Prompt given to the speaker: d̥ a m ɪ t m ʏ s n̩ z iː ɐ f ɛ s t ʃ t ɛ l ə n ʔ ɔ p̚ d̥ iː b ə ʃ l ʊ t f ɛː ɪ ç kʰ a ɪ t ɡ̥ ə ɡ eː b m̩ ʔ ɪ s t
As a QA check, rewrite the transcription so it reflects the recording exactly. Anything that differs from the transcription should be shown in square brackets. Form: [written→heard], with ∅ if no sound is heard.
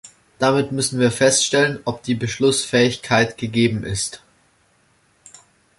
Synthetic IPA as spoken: d̥ a m ɪ t m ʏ s n̩ [z→v] iː ɐ f ɛ s t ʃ t ɛ l ə n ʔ ɔ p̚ d̥ iː b ə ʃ l ʊ [t→s] f ɛː ɪ ç kʰ a ɪ t ɡ̥ ə ɡ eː b m̩ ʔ ɪ s t